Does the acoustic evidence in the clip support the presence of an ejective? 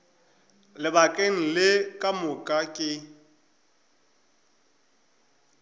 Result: yes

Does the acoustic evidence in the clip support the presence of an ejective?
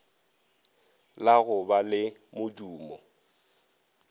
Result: no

